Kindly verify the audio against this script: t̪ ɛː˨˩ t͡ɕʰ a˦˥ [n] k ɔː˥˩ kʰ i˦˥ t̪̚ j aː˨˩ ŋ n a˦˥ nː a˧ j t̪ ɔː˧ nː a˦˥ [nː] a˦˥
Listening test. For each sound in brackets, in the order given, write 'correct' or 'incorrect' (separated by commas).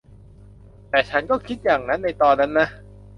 correct, correct